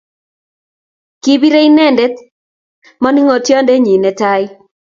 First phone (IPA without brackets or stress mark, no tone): k